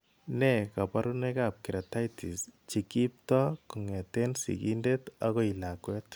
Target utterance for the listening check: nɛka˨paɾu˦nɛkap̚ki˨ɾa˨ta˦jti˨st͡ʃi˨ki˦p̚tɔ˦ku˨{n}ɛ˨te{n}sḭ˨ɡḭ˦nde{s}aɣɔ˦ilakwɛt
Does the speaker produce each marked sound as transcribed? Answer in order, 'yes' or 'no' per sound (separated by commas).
no, yes, no